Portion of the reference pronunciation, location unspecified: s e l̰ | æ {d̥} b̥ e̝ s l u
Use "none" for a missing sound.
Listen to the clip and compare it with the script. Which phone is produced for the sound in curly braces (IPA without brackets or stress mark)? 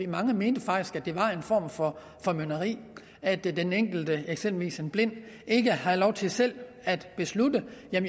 d̥